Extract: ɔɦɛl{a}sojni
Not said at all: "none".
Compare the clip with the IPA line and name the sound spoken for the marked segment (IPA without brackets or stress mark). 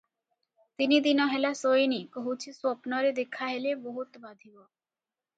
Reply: a